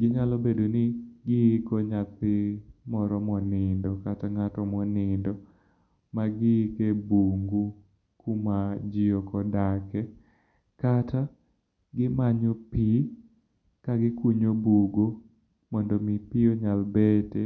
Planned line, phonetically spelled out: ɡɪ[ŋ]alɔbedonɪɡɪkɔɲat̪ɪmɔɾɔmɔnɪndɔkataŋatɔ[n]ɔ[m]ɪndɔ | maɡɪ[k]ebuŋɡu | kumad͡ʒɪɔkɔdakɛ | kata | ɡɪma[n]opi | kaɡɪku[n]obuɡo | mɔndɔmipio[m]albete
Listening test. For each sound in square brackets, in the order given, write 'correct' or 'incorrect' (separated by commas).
incorrect, incorrect, incorrect, correct, incorrect, incorrect, incorrect